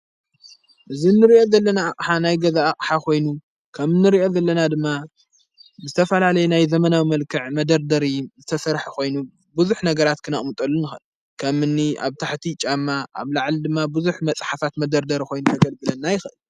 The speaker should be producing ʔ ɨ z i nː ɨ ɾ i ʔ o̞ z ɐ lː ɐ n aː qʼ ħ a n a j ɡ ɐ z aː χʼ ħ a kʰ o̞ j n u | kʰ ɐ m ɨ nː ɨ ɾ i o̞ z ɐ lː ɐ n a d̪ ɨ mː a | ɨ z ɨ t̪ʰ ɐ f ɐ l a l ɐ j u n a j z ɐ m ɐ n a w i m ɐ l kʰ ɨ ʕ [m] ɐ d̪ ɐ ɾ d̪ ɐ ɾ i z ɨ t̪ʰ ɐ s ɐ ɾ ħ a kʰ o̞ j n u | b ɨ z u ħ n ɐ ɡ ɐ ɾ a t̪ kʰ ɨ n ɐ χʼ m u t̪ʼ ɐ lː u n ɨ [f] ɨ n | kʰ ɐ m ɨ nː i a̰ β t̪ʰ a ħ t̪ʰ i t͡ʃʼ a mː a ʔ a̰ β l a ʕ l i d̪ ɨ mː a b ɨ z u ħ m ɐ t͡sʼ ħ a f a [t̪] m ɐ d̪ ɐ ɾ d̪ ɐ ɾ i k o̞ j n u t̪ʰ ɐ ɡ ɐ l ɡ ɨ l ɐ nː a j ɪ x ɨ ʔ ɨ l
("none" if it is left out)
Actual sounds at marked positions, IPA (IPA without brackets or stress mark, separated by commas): m, x, t̪